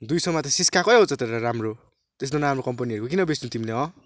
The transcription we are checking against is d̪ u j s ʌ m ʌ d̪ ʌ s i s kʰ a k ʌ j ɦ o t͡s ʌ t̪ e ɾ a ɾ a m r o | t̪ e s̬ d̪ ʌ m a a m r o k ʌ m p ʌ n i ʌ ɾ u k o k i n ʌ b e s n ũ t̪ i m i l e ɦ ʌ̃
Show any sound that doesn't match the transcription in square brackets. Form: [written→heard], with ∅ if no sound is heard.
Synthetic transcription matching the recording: d̪ u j s ʌ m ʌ [d̪→t̪] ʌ s i s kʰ a k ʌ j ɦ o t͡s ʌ t̪ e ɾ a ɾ a m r o | t̪ e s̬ d̪ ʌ [m→n] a a m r o k ʌ m p ʌ n i ʌ ɾ u k o k i n ʌ b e s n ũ t̪ i m i l e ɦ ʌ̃